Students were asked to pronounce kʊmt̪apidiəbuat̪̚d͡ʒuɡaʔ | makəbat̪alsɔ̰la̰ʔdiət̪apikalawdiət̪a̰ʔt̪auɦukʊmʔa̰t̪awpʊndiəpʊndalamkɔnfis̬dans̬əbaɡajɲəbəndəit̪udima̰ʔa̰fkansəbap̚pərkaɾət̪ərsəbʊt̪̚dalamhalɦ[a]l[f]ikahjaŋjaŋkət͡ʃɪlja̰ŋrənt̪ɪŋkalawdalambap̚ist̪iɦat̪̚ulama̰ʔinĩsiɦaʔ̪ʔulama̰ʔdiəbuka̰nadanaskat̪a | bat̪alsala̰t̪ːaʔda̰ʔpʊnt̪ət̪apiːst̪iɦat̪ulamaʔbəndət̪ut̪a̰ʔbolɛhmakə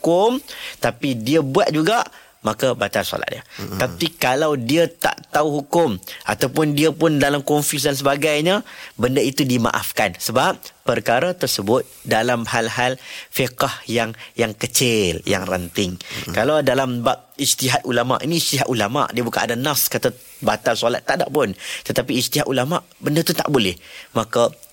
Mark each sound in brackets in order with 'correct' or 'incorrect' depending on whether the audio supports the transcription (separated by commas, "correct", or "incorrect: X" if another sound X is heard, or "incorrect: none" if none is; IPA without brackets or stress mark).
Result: correct, correct